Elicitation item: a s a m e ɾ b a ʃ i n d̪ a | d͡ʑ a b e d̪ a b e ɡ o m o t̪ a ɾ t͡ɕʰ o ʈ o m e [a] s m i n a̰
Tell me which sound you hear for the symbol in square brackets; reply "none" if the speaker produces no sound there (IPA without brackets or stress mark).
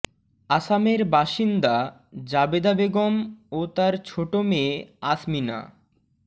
a